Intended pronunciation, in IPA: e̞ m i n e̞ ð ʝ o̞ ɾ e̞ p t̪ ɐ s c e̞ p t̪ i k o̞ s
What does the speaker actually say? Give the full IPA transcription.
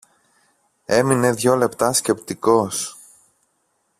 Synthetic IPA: e̞ m i n e̞ ð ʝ o̞ l e̞ p t̪ ɐ s c e̞ p t̪ i k o̞ s

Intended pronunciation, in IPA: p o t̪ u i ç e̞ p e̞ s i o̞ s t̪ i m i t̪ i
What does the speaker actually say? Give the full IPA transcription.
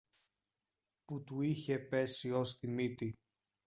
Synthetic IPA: p u t̪ u i ç e̞ p e̞ s i o̞ s t̪ i m i t̪ i

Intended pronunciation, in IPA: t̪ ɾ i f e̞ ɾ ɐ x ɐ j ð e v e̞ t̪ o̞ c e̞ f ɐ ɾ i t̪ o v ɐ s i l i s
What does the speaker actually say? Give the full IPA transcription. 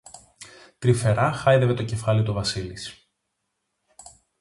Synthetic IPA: t̪ ɾ i f e̞ ɾ ɐ x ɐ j ð e v e̞ t̪ o̞ c e̞ f ɐ l i t̪ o v ɐ s i l i s

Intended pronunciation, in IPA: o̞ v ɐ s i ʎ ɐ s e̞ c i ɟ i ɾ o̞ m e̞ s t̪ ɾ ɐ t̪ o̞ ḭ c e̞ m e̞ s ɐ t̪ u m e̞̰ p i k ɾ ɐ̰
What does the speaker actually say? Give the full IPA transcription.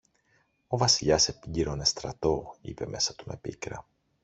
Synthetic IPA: o̞ v ɐ s i ʎ ɐ s e̞ p i ɟ i ɾ o̞ n e̞ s t̪ ɾ ɐ t̪ o̞ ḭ p e̞ m e̞ s ɐ t̪ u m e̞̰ p i k ɾ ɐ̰

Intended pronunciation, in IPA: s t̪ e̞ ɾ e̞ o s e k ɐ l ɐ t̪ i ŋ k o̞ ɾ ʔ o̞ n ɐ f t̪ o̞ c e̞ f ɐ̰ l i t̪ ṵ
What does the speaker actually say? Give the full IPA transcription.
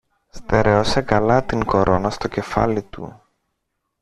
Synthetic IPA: s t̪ e̞ ɾ e̞ o s e k ɐ l ɐ t̪ i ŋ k o̞ ɾ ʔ o̞ n ɐ s t̪ o̞ c e̞ f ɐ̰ l i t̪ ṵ

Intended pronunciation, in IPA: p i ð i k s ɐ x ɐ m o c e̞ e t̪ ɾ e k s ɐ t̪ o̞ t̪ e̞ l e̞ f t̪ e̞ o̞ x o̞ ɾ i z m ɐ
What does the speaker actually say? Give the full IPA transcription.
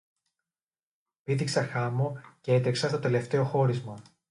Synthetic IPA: p i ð i k s ɐ x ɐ m o c e̞ e t̪ ɾ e k s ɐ t̪ o̞ t̪ e̞ l e̞ f t̪ e̞ o̞ x o̞ ɾ i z m ɐ

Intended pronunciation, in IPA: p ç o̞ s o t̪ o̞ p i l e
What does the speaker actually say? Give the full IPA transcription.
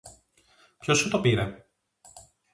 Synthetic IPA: p ç o̞ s u t̪ o̞ p i ɾ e

